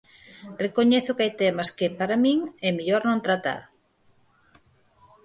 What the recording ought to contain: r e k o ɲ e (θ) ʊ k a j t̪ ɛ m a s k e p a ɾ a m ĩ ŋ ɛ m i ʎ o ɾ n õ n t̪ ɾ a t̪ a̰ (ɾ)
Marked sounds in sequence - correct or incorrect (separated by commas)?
correct, correct